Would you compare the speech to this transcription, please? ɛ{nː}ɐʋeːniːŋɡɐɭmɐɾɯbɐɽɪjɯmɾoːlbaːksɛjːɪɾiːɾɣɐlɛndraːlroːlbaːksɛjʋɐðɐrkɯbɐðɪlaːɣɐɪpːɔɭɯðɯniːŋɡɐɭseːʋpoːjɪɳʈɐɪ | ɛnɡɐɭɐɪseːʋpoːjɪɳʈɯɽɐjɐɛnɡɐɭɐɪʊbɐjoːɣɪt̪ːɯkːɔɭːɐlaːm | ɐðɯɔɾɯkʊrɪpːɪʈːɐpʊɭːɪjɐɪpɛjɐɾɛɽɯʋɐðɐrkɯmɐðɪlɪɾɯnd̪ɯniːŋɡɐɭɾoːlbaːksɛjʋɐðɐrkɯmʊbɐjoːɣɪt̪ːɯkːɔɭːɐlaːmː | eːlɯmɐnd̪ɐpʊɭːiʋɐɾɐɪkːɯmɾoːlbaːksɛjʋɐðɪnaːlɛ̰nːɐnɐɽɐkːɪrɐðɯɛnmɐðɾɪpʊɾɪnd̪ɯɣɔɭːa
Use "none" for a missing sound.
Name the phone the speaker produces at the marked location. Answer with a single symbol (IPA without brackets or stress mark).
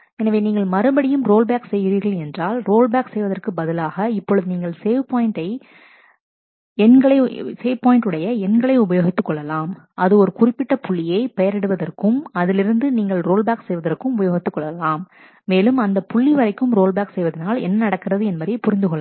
n